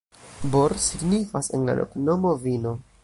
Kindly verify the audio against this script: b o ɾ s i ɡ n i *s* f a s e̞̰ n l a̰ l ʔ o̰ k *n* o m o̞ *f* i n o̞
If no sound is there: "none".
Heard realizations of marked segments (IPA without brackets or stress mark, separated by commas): none, n, v